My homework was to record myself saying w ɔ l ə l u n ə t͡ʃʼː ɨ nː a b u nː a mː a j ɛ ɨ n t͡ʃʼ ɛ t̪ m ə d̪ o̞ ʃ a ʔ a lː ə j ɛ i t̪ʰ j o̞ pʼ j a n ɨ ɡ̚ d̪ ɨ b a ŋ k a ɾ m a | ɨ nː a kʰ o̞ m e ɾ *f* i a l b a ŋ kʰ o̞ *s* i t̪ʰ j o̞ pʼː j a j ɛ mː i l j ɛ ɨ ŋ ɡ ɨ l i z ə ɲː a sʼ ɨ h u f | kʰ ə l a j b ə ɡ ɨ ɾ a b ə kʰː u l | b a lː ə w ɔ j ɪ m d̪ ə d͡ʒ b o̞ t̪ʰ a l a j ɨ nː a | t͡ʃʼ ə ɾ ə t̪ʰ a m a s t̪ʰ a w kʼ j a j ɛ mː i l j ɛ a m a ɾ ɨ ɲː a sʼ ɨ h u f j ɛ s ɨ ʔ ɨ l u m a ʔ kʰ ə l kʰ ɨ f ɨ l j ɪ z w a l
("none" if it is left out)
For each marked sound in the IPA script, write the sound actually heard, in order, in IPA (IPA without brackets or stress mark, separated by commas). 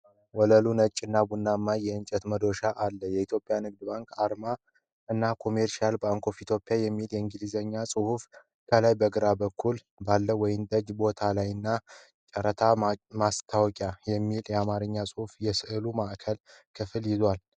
ʃ, f